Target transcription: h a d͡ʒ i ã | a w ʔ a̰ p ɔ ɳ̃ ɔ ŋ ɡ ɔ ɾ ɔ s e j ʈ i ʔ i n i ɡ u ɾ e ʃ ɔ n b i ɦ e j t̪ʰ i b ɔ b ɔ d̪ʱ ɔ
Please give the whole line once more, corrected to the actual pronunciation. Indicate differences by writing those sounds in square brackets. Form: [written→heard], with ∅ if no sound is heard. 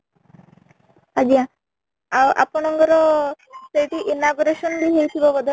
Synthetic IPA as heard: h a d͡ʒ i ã | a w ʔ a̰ p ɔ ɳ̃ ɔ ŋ ɡ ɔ ɾ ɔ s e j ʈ i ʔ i n [i→a] ɡ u ɾ e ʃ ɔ n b i ɦ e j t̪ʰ i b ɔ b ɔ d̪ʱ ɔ

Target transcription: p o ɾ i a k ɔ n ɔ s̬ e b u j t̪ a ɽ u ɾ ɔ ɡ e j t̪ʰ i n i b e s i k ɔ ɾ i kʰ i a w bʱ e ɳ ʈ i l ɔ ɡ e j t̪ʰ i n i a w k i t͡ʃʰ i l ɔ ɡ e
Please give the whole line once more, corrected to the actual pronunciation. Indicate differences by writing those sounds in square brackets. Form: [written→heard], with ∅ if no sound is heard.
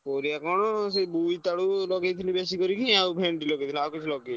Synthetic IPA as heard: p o ɾ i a k ɔ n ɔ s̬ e b u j t̪ a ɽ u [ɾ→l] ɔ ɡ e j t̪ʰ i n i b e s i k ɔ ɾ i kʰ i a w bʱ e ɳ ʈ i l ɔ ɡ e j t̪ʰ i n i a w k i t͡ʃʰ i l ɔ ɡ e

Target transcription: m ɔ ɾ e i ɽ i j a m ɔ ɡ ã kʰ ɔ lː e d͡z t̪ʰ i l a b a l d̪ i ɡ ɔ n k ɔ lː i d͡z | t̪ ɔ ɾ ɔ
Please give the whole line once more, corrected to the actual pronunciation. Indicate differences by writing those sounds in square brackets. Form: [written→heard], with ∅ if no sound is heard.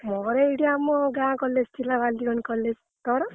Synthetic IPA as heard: m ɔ ɾ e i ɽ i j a m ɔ ɡ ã [kʰ→k] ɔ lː e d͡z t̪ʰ i l a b a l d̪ i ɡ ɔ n k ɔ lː [i→e] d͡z | t̪ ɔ ɾ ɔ

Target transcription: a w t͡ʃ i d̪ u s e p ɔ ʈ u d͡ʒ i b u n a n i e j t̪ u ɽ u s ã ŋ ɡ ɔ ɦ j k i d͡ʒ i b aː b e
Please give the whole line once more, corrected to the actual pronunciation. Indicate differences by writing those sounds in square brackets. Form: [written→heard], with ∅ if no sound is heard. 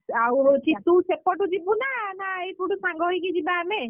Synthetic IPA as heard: a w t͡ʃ i [d̪→t̪] u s e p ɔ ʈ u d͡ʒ i b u n a n [i→a] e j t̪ u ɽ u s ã ŋ ɡ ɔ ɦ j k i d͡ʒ i b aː [b→m] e

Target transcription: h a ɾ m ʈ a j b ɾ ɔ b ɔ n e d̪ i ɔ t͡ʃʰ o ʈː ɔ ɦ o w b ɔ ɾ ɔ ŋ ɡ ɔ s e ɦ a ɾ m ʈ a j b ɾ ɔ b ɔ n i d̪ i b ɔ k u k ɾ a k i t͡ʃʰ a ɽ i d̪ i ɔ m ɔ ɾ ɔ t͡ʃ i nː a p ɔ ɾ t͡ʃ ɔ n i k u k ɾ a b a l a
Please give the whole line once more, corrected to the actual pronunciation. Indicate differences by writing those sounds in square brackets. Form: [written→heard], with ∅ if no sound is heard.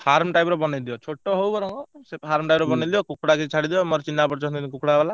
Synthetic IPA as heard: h a ɾ m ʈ a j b ɾ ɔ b ɔ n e d̪ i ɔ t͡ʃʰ o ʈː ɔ ɦ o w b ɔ ɾ ɔ ŋ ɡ ɔ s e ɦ a ɾ m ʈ a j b ɾ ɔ b ɔ n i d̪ i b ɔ k u k [ɾ→ɽ] a k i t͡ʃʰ a ɽ i d̪ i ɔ m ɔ ɾ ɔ t͡ʃ i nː a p ɔ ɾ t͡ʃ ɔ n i k u k [ɾ→ɽ] a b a l a

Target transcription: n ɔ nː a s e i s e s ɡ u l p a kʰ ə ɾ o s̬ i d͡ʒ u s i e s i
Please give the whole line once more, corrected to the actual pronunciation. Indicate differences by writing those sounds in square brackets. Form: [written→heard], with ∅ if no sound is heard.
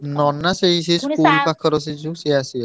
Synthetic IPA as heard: n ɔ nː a s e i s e s [ɡ→k] u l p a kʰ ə ɾ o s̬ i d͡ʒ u s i [e→a] s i

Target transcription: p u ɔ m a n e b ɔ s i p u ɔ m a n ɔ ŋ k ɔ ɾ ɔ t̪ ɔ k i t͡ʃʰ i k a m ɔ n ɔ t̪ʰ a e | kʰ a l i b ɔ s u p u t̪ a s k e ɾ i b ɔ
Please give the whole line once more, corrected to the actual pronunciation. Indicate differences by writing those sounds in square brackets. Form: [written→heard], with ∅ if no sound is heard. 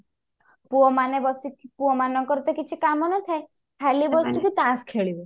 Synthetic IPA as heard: p u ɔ m a n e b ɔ s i p u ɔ m a n ɔ ŋ k ɔ ɾ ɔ t̪ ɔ k i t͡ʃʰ i k a m ɔ n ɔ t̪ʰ a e | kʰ a l i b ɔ s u [p→k] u t̪ a s [k→kʰ] e [ɾ→ɭ] i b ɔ

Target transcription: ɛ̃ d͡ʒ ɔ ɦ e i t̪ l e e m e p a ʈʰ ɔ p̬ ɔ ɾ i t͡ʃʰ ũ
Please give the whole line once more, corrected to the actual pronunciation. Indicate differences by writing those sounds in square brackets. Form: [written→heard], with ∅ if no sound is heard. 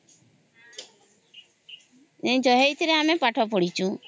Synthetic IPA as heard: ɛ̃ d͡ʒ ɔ ɦ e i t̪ [l→ɾ] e [e→a] m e p a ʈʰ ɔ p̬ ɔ [ɾ→ɽ] i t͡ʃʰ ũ

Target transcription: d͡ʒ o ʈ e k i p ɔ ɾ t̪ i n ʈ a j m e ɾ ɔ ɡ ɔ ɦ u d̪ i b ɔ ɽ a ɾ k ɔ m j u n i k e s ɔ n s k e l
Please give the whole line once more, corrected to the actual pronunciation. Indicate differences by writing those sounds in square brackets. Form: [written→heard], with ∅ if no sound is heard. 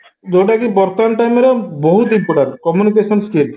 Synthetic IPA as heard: d͡ʒ o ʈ [e→a] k i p ɔ ɾ t̪ [i→a] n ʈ a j m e ɾ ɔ [ɡ→b] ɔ ɦ u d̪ i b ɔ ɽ a ɾ k ɔ m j u n i k e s ɔ n s k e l

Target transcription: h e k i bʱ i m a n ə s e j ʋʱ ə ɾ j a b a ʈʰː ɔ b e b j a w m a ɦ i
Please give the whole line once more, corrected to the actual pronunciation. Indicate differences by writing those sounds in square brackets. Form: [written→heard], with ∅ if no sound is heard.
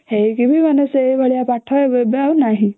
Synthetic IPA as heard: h e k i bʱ i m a n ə s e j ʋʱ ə [ɾ→ɭ] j a [b→p] a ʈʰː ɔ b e b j a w [m→n] a ɦ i

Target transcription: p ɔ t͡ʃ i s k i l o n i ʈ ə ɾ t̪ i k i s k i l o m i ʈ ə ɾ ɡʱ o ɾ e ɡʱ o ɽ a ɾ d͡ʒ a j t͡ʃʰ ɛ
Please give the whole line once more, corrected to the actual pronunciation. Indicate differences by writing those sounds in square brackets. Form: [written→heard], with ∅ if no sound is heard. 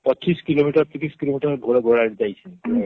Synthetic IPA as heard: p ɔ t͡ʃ i s k i l o [n→m] i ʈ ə ɾ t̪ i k i s k i l o m i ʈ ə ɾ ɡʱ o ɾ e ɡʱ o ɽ a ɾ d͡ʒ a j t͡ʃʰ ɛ

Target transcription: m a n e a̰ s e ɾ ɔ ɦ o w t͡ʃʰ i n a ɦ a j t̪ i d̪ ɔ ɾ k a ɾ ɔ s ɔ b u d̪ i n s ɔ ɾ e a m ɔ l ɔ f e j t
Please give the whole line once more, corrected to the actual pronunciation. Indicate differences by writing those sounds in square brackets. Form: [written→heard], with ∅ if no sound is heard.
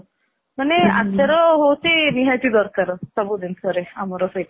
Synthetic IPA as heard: m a n e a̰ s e ɾ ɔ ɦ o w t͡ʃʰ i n [a→i] ɦ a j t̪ i d̪ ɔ ɾ k a ɾ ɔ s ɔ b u d̪ i n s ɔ ɾ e a m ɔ [l→ɾ] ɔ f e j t

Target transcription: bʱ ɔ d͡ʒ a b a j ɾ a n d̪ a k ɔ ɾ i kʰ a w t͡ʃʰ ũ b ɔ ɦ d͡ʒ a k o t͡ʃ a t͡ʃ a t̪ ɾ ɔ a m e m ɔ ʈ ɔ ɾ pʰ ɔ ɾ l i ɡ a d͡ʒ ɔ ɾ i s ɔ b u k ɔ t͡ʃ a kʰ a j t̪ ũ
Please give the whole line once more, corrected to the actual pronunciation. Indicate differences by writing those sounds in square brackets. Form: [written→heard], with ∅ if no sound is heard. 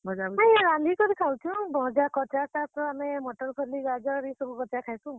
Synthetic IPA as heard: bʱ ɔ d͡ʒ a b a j ɾ a n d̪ [a→i] k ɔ ɾ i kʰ a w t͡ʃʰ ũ b ɔ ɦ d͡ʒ a k [o→ɔ] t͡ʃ a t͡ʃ a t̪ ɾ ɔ a m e m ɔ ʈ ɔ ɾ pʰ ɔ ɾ l i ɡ a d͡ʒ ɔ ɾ i s ɔ b u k ɔ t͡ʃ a kʰ a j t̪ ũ

